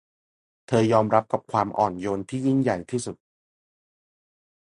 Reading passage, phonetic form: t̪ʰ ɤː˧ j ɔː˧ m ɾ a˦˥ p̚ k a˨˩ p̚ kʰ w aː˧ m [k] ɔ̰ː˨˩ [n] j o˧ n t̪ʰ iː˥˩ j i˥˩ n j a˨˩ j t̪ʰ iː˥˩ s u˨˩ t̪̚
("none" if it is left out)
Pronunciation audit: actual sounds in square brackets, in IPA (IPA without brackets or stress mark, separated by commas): ʔ, n